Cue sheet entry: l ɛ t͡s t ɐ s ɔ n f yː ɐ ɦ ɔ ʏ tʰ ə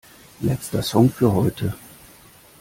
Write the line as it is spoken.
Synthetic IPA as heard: l ɛ t͡s t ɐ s ɔ ŋ f yː ɐ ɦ ɔ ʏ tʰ ə